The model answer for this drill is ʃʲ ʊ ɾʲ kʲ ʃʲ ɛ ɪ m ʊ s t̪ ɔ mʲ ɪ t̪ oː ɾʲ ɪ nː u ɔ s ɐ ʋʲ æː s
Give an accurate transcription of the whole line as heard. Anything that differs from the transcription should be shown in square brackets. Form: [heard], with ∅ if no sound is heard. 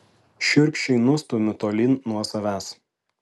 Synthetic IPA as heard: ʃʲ ʊ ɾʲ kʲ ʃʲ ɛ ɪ [n] ʊ s t̪ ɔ mʲ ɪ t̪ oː [lʲ] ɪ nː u ɔ s ɐ ʋʲ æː s